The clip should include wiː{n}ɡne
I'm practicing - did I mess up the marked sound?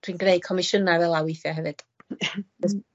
no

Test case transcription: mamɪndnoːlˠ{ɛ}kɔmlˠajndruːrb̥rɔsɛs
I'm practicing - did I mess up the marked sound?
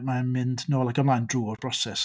yes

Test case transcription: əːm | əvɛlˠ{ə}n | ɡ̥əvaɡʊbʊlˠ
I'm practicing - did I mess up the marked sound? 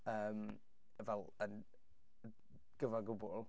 no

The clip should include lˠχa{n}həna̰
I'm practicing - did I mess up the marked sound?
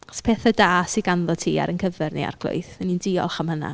yes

